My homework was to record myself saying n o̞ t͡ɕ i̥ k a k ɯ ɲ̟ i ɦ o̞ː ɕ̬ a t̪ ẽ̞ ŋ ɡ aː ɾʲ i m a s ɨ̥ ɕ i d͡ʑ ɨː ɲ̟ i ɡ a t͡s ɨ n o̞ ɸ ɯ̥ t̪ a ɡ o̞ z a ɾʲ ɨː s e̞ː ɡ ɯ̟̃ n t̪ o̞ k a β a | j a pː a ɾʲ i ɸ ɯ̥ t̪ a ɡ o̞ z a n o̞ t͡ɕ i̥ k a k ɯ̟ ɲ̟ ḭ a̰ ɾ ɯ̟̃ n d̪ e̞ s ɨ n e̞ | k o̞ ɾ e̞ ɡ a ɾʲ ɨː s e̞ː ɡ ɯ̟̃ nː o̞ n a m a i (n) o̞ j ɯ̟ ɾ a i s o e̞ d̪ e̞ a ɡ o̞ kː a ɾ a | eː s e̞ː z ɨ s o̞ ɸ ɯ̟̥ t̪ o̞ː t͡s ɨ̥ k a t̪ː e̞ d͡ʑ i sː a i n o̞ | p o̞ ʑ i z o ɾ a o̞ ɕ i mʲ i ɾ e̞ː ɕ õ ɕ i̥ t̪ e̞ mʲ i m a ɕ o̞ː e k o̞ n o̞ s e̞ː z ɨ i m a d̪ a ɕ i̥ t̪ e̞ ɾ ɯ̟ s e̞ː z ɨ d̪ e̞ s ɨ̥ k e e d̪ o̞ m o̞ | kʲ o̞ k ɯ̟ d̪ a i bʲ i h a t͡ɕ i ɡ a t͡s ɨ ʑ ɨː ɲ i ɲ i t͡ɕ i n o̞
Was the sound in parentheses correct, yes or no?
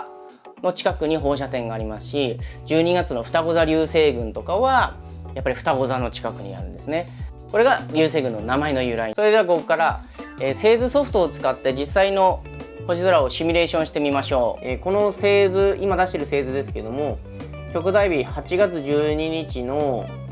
yes